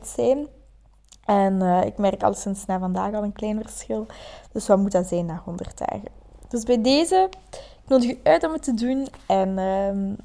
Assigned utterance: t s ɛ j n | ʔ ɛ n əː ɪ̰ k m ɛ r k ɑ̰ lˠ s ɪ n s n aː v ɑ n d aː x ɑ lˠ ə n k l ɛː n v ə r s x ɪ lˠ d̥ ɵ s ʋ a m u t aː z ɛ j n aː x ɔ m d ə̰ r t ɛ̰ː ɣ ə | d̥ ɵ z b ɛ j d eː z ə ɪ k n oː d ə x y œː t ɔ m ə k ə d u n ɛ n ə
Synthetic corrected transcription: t s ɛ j n | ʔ ɛ n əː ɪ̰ k m ɛ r k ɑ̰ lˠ s ɪ n s n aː v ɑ n d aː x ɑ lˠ ə n k l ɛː n v ə r s x ɪ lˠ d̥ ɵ s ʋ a m u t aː z ɛ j n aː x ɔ n d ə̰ r t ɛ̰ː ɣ ə | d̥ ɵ z b ɛ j d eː z ə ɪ k n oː d ə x y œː t ɔ m ə t ə d u n ɛ n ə